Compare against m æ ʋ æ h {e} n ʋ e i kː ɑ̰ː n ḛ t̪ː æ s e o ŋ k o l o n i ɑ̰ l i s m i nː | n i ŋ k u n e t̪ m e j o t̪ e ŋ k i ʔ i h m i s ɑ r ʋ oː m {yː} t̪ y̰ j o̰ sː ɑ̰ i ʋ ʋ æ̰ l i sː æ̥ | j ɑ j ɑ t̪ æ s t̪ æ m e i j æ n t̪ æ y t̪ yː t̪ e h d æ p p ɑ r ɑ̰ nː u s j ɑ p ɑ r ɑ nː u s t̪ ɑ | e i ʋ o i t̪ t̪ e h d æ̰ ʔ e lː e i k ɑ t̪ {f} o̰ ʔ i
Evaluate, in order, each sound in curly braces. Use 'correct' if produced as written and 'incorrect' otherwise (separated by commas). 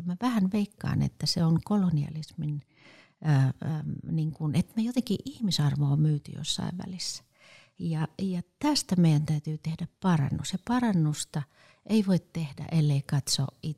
incorrect, correct, incorrect